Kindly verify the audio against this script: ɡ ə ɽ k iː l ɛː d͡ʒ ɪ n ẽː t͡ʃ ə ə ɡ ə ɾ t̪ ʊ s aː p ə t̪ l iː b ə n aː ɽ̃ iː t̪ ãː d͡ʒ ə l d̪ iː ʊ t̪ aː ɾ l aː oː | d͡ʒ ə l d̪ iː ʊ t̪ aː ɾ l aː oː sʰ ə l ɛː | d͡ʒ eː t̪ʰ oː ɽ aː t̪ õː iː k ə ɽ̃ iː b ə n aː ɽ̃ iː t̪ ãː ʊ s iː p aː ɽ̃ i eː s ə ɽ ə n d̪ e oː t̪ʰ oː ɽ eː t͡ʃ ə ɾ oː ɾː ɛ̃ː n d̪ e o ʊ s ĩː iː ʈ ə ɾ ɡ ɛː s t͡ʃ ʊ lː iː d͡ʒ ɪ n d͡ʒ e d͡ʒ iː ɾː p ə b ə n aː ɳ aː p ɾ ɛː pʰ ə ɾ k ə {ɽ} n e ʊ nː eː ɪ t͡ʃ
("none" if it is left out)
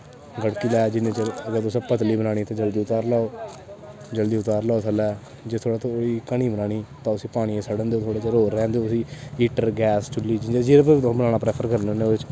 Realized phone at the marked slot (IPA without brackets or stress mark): ɾ